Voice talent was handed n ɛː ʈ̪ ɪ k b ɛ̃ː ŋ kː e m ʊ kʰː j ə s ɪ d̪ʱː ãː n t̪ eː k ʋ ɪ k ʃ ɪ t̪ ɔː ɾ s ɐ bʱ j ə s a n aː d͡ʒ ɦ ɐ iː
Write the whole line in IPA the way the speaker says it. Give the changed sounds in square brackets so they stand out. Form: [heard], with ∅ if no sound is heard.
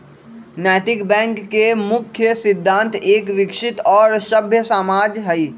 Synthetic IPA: n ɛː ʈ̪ ɪ k b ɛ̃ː ŋ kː e m ʊ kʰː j ə s ɪ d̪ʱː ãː n t̪ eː k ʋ ɪ k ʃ ɪ t̪ ɔː ɾ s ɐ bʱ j ə s a [m] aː d͡ʒ ɦ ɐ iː